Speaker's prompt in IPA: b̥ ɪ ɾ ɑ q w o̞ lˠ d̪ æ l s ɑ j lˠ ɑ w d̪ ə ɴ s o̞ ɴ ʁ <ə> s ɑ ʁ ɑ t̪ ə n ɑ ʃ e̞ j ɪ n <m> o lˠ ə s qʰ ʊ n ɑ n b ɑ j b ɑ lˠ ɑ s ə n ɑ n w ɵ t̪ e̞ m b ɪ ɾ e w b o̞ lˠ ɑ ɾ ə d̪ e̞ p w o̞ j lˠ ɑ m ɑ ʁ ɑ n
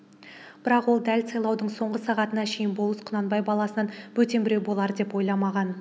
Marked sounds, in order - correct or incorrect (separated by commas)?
correct, incorrect